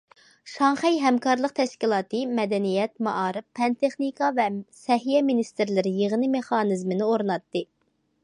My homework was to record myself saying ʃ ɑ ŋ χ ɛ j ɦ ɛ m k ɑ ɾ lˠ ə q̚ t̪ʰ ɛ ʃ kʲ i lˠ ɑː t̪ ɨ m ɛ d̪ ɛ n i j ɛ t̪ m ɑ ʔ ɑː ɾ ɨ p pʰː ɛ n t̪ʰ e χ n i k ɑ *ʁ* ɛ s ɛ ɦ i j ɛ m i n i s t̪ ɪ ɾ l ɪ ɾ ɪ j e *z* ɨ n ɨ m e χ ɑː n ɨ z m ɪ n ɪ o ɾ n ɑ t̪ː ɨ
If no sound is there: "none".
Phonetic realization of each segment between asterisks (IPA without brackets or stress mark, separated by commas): v, ʁ